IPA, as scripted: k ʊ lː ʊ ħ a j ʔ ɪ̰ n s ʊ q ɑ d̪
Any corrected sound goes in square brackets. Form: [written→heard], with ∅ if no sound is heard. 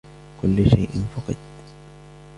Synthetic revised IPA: k ʊ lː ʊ [ħ→ʃ] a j ʔ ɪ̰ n [s→f] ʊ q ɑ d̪